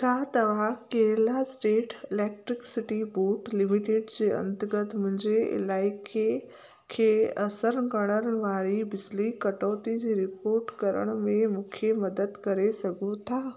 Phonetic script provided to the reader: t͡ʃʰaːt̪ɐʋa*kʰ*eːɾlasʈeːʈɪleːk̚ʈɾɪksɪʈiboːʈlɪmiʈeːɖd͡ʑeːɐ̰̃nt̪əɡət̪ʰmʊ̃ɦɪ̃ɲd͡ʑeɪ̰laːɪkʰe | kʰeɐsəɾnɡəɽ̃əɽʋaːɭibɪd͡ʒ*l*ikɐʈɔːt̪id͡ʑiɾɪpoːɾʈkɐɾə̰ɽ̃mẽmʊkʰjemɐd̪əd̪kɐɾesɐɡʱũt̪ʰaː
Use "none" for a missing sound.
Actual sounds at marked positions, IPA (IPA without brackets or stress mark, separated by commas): k, l